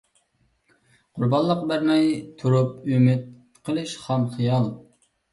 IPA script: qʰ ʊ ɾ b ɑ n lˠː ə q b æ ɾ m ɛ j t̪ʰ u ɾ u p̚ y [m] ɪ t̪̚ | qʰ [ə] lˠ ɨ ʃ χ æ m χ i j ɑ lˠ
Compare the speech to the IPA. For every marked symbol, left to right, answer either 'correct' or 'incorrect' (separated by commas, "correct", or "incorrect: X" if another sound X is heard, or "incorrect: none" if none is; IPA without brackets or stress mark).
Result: correct, correct